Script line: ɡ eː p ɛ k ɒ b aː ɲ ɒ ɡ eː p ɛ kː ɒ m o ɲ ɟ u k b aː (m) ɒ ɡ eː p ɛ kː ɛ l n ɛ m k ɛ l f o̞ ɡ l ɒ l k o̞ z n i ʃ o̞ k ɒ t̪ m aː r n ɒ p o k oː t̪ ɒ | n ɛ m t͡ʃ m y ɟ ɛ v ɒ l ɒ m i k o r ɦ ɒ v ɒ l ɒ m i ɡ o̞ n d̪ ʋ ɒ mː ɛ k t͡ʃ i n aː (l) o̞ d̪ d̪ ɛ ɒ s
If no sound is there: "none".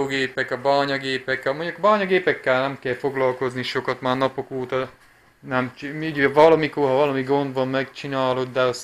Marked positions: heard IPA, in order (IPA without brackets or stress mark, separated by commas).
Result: ɲ, l